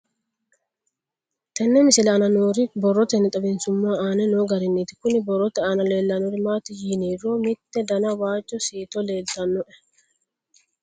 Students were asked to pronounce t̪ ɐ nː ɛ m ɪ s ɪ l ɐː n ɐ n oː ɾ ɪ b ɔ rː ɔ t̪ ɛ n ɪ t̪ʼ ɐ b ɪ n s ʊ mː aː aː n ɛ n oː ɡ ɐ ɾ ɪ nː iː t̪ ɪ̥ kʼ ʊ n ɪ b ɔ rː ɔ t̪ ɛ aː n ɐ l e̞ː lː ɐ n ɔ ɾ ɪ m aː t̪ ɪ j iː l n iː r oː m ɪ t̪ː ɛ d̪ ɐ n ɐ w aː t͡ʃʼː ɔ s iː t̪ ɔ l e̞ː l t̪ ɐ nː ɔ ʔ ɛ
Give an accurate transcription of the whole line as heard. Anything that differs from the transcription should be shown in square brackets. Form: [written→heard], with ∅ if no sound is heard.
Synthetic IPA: t̪ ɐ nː ɛ m ɪ s ɪ l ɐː n ɐ n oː ɾ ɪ b ɔ rː ɔ t̪ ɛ n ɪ t̪ʼ ɐ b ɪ n s ʊ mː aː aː n ɛ n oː ɡ ɐ ɾ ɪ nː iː t̪ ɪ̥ [kʼ→k] ʊ n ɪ b ɔ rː ɔ t̪ ɛ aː n ɐ l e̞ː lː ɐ n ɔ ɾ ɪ m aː t̪ ɪ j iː [l→∅] n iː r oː m ɪ t̪ː ɛ d̪ ɐ n ɐ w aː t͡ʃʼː ɔ s iː t̪ ɔ l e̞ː l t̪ ɐ nː ɔ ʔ ɛ